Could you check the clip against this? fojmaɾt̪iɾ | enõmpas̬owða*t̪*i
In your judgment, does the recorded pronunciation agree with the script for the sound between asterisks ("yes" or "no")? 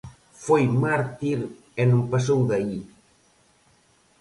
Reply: no